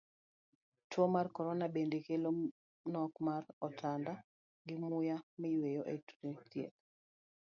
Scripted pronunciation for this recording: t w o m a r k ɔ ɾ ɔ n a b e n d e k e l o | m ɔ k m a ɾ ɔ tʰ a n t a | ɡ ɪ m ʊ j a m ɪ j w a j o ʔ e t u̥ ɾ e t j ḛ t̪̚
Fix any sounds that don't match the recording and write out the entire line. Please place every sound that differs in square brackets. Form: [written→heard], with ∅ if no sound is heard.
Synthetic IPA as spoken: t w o m a r k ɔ ɾ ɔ n a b e n d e k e l o | [m→n] ɔ k m a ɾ ɔ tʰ a n [t→d] a | ɡ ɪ m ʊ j a m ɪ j w [a→e] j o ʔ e t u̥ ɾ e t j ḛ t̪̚